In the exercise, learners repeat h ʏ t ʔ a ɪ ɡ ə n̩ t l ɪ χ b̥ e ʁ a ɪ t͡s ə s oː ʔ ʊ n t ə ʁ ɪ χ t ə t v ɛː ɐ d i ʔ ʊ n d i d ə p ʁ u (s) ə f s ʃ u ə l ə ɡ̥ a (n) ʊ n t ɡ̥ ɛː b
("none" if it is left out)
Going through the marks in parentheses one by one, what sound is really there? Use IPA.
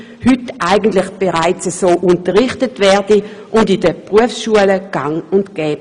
none, ŋ

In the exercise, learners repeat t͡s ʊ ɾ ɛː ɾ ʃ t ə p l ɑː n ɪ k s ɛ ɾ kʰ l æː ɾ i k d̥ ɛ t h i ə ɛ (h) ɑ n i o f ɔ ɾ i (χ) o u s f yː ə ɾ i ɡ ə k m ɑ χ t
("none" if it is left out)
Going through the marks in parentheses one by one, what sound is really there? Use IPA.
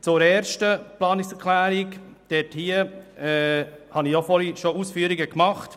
h, ʃ

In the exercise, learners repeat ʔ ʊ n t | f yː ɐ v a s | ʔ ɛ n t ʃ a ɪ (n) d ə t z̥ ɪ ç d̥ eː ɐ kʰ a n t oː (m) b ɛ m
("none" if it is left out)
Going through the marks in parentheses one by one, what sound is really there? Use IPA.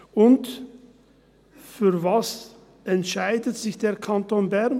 none, n

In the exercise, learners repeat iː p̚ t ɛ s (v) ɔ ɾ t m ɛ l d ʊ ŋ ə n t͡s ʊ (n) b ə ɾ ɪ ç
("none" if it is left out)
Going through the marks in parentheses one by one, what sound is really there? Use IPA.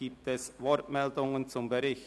v, m

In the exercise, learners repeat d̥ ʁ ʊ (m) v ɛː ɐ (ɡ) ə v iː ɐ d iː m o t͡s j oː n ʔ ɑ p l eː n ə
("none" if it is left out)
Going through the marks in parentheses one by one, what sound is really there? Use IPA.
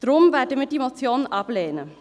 m, d

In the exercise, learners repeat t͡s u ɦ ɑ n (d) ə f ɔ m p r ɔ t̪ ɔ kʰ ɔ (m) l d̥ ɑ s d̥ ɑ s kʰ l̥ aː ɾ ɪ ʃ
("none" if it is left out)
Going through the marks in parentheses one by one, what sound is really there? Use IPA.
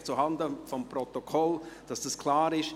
d, none

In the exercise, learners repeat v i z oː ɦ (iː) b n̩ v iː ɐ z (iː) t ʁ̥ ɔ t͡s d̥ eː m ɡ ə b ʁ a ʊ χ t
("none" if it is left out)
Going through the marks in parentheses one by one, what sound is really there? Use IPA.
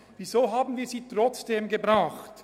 aː, iː

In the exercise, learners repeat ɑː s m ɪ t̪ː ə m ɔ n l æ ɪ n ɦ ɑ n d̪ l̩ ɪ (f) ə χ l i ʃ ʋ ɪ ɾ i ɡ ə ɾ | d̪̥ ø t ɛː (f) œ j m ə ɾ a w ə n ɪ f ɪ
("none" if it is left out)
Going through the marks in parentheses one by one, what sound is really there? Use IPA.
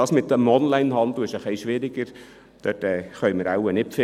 ʃ, χ

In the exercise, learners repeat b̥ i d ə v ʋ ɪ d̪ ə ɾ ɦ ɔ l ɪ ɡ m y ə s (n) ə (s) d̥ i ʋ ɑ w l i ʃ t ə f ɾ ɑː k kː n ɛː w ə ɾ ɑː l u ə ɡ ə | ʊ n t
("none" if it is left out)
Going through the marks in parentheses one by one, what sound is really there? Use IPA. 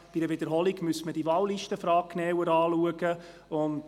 m, none

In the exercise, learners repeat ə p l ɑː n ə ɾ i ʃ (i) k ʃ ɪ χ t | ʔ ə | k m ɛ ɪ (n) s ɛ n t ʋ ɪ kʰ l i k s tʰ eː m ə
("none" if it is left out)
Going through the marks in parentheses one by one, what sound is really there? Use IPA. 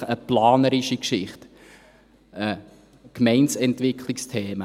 i, n

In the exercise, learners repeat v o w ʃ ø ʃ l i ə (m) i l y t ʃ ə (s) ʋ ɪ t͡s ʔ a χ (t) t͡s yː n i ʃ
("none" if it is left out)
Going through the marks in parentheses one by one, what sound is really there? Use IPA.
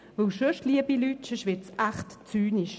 b, ʃ, t

